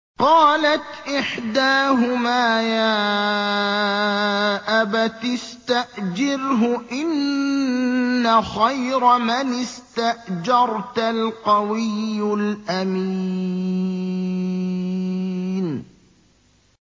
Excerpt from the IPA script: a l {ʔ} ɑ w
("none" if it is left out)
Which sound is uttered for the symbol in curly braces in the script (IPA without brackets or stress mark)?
q